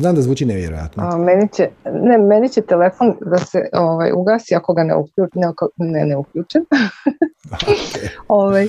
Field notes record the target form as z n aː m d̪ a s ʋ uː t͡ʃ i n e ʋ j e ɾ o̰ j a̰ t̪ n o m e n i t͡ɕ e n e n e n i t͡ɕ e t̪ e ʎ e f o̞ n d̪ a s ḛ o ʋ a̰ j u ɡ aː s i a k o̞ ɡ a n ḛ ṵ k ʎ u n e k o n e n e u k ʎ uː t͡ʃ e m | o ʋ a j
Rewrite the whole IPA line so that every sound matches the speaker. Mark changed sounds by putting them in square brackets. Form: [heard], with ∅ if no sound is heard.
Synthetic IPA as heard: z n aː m d̪ a [z] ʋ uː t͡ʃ i n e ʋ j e ɾ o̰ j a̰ t̪ n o m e n i t͡ɕ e n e [m] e n i t͡ɕ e t̪ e [l] e f o̞ n d̪ a s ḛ o ʋ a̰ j u ɡ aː s i a k o̞ ɡ a n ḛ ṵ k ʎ u n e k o n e n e u k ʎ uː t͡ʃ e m | o ʋ a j